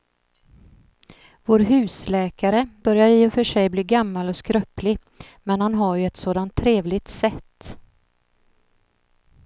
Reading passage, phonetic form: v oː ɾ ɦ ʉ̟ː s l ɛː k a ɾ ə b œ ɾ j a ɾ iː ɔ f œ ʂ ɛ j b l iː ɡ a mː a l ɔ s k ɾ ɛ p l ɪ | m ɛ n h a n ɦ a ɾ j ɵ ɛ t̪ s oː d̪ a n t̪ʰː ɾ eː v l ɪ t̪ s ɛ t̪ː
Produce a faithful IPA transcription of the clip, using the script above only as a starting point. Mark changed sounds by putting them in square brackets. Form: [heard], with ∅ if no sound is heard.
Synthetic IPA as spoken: v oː ɾ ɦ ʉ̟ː s l ɛː k a ɾ ə b œ ɾ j a ɾ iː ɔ f œ ʂ ɛ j b l iː ɡ a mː a l ɔ s k ɾ [œ] p l ɪ | m ɛ n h a n ɦ a ɾ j ɵ ɛ t̪ s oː d̪ a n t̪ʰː ɾ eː v l ɪ t̪ s ɛ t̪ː